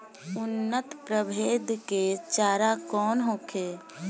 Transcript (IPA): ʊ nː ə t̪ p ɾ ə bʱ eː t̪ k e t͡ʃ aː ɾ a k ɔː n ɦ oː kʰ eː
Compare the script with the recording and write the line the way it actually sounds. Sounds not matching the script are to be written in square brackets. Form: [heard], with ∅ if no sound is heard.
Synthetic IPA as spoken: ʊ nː ə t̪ p ɾ ə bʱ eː [d̪] k e t͡ʃ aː ɾ a k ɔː n ɦ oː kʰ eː

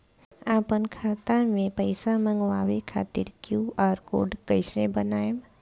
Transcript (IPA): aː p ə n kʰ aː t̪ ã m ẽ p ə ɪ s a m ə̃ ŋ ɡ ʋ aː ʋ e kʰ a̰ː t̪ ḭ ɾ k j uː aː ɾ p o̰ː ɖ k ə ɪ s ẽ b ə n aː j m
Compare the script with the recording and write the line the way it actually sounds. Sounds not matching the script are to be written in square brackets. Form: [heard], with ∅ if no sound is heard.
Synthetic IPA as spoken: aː p ə n kʰ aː t̪ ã m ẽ p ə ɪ s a m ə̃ ŋ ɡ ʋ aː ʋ e kʰ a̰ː t̪ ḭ ɾ k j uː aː ɾ [k] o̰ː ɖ k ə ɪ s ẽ b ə n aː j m

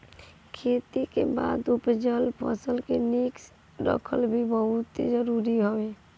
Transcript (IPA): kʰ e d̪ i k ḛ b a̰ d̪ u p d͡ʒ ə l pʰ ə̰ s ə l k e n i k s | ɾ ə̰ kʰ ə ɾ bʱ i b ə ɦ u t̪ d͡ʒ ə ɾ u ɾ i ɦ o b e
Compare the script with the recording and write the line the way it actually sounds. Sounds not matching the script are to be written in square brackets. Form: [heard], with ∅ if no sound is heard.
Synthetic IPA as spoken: kʰ e [t̪] i k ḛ b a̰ d̪ u p d͡ʒ ə l pʰ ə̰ s ə l k e n i k s | ɾ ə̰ kʰ ə [l] bʱ i b ə ɦ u t̪ d͡ʒ ə ɾ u ɾ i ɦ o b e

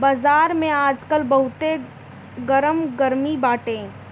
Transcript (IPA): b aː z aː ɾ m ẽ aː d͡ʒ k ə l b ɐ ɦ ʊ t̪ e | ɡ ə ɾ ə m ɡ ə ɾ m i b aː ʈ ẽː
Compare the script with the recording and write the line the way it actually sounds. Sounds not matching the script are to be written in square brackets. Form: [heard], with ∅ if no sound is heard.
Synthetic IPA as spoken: b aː z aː ɾ m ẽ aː d͡ʒ k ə l b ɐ ɦ ʊ t̪ e | ɡ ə ɾ ə m ɡ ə ɾ m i b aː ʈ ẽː

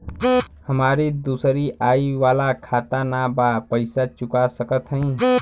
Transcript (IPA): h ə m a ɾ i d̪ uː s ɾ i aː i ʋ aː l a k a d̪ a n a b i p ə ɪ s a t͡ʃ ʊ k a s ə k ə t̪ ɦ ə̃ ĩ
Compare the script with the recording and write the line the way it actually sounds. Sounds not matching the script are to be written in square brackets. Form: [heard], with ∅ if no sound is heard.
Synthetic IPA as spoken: h ə m a ɾ i d̪ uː s ɾ i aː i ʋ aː l a [kʰ] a [t̪] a n a b [a] p ə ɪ s a t͡ʃ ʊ k a s ə k ə t̪ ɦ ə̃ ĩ

